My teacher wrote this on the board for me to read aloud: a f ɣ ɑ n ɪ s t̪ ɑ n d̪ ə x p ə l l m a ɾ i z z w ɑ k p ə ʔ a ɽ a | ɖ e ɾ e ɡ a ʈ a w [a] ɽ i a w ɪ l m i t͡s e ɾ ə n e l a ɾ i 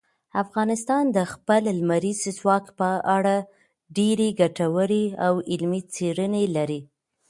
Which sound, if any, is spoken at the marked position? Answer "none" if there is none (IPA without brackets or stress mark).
ə